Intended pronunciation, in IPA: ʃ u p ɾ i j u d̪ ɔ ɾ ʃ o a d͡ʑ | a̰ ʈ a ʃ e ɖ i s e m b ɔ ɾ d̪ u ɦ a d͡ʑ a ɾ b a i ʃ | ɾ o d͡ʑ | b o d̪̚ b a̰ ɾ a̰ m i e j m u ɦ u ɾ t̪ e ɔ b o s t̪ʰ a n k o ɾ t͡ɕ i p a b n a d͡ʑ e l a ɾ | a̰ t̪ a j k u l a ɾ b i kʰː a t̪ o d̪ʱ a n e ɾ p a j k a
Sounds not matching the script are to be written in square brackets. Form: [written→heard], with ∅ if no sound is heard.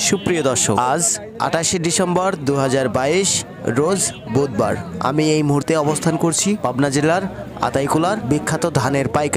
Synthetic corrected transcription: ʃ u p ɾ i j [u→o] d̪ ɔ ɾ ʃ o a d͡ʑ | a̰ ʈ a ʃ e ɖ i s e m b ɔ ɾ d̪ u ɦ a d͡ʑ a ɾ b a i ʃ | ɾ o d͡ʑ | b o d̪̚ b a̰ ɾ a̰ m i e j m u ɦ u ɾ t̪ e ɔ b o s t̪ʰ a n k o ɾ [t͡ɕ→t͡ɕʰ] i p a b n a d͡ʑ e l a ɾ | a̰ t̪ a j k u l a ɾ b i kʰː a t̪ o d̪ʱ a n e ɾ p a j k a